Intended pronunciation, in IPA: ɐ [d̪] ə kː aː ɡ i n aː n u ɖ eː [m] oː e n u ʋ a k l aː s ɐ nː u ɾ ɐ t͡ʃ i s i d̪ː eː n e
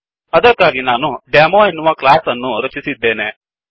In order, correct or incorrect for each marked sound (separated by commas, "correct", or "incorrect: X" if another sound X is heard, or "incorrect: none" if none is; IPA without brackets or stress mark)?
correct, correct